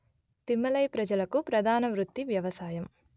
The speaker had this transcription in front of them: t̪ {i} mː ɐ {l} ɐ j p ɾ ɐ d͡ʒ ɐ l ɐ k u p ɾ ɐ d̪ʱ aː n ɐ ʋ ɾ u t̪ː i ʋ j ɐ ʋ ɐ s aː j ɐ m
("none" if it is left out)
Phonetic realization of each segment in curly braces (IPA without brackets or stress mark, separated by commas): i, l